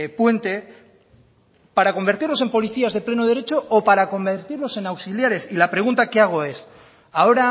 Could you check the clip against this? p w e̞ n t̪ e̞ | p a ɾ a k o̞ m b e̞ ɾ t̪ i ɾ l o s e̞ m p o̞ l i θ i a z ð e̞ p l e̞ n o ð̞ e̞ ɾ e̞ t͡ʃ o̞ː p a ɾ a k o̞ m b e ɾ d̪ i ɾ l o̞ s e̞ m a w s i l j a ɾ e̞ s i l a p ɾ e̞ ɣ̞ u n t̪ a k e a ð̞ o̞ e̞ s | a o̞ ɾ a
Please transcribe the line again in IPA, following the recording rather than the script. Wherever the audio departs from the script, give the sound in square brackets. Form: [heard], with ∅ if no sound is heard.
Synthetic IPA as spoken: p w e̞ n t̪ e̞ | p a ɾ a k o̞ m b e̞ ɾ t̪ i ɾ l o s e̞ m p o̞ l i θ i a z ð e̞ p l e̞ n o ð̞ e̞ ɾ e̞ t͡ʃ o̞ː p a ɾ a k o̞ m b e ɾ [t̪] i ɾ l o̞ s e̞ [n] a w s i l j a ɾ e̞ s i l a p ɾ e̞ ɣ̞ u n t̪ a k e a [ɣ̞] o̞ e̞ s | a o̞ ɾ a